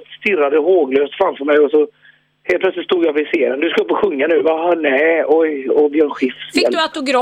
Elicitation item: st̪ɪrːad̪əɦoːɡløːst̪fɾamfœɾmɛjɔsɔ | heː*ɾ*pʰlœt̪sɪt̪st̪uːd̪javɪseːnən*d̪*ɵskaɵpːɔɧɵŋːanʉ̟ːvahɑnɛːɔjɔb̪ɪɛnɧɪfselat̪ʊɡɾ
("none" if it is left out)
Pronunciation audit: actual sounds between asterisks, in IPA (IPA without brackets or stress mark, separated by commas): l, d̪